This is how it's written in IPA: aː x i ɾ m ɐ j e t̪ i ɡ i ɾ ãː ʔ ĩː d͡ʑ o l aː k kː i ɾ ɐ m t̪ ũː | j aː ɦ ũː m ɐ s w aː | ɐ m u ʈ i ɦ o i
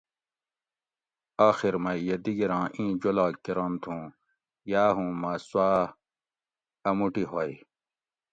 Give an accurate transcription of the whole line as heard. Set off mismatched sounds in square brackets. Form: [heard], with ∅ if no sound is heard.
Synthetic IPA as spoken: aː x i ɾ m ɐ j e [d̪] i ɡ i ɾ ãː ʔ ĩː d͡ʑ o l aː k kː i ɾ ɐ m [t̪ʰ] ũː | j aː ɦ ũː m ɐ s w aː | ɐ m u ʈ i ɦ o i

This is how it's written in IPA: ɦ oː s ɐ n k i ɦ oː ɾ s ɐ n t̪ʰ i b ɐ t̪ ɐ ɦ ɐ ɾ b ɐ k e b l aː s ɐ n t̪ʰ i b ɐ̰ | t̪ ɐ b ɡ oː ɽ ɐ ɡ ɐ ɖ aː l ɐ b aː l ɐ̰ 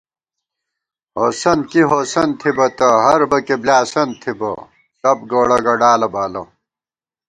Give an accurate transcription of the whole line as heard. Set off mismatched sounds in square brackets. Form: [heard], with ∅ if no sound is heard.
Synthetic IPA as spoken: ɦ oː s ɐ n k i ɦ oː [∅] s ɐ n t̪ʰ i b ɐ t̪ ɐ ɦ ɐ ɾ b ɐ k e b l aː s ɐ n t̪ʰ i b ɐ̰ | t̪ ɐ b ɡ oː ɽ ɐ ɡ ɐ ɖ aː l ɐ b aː l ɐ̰

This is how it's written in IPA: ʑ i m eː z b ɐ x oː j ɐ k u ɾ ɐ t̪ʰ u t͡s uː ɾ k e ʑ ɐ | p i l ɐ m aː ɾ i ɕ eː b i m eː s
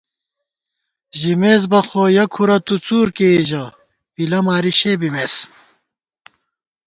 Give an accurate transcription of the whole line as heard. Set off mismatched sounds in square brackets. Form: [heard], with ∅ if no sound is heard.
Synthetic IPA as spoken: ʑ i m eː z b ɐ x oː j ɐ [kʰ] u ɾ ɐ [t̪] u t͡s uː ɾ k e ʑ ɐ | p i l ɐ m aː ɾ i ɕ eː b i m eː s

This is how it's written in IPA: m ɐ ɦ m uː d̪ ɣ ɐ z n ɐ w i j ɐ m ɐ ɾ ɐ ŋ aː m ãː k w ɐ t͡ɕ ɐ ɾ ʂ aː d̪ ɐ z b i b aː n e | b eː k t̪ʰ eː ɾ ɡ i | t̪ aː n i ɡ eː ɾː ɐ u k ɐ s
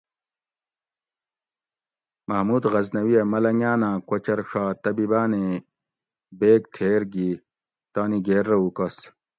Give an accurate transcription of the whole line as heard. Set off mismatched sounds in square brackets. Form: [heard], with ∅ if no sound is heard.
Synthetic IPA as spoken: m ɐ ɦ m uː d̪ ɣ ɐ z n ɐ w i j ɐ m ɐ [l] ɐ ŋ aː [n] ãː k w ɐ t͡ɕ ɐ ɾ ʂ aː [t̪] ɐ [∅] b i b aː n e | b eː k t̪ʰ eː ɾ ɡ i | t̪ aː n i ɡ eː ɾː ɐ u k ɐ s

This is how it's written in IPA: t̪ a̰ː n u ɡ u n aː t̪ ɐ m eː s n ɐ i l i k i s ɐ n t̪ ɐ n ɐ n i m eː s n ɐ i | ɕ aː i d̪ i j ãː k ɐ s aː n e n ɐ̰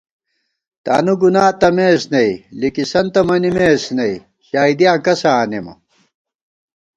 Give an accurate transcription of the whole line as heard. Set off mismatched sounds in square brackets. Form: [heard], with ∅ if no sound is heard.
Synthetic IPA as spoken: t̪ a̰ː n u ɡ u n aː t̪ ɐ m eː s n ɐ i l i k i s ɐ n t̪ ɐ [m] ɐ n i m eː s n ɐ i | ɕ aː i d̪ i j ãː k ɐ s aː n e [m] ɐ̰

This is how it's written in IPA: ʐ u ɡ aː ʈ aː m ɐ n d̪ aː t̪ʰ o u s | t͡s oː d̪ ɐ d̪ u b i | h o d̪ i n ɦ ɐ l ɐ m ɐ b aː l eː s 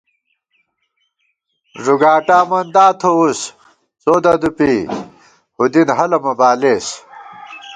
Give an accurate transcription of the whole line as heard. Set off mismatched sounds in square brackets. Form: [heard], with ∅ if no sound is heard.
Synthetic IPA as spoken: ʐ u ɡ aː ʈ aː m ɐ n d̪ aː t̪ʰ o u s | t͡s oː d̪ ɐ d̪ u [p] i | h [u] d̪ i n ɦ ɐ l ɐ m ɐ b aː l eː s

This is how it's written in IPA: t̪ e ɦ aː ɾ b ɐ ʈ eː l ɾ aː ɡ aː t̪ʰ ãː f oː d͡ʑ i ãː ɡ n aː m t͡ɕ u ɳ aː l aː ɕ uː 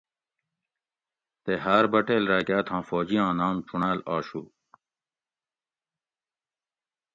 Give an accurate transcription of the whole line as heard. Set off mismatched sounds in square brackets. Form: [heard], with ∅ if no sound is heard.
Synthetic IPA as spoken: t̪ e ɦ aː ɾ b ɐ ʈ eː l ɾ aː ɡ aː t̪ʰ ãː f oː d͡ʑ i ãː [∅] n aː m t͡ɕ u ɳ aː l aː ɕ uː

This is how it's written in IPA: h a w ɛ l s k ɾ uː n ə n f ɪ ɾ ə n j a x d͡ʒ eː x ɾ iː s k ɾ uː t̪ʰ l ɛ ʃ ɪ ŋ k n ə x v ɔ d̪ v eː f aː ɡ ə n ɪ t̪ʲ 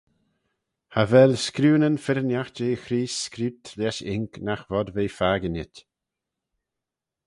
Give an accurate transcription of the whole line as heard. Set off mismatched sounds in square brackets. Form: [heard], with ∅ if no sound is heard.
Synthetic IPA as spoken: h a [v] ɛ l s k ɾ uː n ə n f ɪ ɾ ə n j a x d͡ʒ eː x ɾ iː s k ɾ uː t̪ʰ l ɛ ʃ ɪ ŋ k n [a] x v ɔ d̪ v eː f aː ɡ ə n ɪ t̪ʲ

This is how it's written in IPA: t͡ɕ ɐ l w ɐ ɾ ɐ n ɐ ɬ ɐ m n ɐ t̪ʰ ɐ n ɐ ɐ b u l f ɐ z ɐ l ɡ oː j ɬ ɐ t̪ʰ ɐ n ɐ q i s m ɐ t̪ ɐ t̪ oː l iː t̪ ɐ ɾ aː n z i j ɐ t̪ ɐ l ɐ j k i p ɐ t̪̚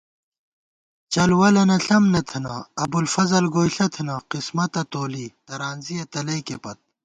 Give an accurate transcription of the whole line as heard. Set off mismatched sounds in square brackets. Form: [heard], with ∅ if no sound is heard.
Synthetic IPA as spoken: t͡ɕ ɐ l w ɐ [l] ɐ n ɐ ɬ ɐ m n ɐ t̪ʰ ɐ n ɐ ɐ b u l f ɐ z ɐ l ɡ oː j ɬ ɐ t̪ʰ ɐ n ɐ q i s m ɐ t̪ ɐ t̪ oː l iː t̪ ɐ ɾ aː n z i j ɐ t̪ ɐ l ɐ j k [e] p ɐ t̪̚

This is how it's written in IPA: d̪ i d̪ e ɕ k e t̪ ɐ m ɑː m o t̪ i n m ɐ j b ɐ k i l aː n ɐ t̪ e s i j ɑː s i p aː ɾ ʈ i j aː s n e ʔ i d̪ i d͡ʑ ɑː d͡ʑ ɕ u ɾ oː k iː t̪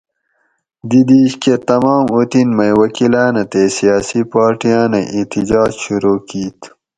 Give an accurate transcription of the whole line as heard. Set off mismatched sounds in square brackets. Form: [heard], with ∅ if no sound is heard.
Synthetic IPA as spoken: d̪ i d̪ [i] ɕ k e t̪ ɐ m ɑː m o t̪ i n m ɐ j [w] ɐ k i l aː n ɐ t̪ e s i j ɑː s i p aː ɾ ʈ i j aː [∅] n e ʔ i [t̪] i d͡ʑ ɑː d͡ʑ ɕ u ɾ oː k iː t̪

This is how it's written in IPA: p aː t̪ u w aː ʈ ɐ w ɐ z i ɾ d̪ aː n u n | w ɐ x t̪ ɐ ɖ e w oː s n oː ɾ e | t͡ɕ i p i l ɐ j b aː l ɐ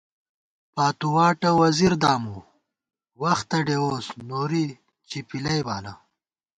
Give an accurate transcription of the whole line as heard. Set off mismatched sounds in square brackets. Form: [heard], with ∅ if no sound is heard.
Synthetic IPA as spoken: p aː t̪ u w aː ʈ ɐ w ɐ z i ɾ d̪ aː [m] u [∅] | w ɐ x t̪ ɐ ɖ e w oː s n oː ɾ [i] | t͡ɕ i p i l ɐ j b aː l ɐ

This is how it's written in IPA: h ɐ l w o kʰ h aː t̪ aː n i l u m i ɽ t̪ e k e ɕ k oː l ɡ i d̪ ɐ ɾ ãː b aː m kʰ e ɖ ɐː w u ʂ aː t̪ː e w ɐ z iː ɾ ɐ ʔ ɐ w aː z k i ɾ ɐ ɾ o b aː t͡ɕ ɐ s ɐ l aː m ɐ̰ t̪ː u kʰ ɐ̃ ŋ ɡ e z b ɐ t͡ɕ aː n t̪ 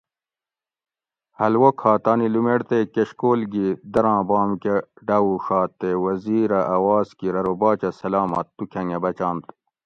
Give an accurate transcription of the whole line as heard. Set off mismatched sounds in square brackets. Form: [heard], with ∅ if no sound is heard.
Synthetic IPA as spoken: h ɐ l w o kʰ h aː t̪ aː n i l u m [e] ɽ t̪ e k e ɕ k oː l ɡ i d̪ ɐ ɾ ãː b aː m [k] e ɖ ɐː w u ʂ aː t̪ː e w ɐ z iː ɾ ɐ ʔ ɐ w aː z k i ɾ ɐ ɾ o b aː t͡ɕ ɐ s ɐ l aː m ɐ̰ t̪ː u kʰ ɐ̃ ŋ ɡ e [∅] b ɐ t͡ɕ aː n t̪

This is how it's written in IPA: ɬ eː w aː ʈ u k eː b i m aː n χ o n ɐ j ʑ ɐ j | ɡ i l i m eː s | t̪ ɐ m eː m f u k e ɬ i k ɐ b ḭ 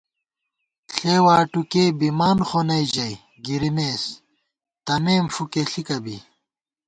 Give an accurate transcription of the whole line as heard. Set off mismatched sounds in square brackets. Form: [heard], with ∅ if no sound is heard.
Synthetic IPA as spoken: ɬ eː w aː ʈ u k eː b i m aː n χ o n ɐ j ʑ ɐ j | ɡ i [ɾ] i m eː s | t̪ ɐ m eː m f u k e ɬ i k ɐ b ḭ

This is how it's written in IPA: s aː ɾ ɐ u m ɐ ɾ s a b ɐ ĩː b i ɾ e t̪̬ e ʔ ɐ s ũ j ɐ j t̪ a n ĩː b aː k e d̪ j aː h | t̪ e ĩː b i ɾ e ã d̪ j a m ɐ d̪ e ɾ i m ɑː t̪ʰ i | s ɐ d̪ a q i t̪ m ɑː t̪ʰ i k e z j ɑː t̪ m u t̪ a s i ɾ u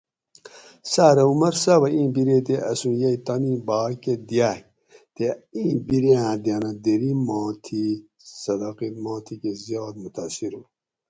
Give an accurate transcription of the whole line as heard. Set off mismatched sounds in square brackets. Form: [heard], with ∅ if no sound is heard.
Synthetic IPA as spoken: s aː ɾ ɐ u m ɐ ɾ s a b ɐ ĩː b i ɾ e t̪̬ e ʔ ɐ s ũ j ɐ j t̪ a n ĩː b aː k e d̪ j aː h | t̪ e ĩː b i ɾ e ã d̪ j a [n] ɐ d̪ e ɾ i m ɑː t̪ʰ i | s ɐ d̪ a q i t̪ m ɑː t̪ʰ i k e z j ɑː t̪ m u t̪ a s i ɾ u

